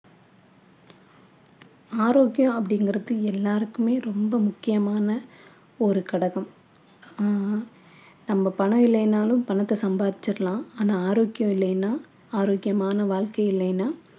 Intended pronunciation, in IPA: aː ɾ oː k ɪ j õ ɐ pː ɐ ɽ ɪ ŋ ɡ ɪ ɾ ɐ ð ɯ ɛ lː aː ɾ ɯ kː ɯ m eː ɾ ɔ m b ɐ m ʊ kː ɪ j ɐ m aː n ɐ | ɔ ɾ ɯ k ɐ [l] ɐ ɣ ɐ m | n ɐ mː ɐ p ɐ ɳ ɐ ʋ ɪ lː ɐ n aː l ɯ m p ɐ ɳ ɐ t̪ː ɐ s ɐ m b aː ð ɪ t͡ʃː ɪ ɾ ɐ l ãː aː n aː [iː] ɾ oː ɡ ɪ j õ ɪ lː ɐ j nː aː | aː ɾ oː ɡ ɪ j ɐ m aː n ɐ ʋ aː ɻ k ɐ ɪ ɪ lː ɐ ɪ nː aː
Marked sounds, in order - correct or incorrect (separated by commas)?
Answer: incorrect, incorrect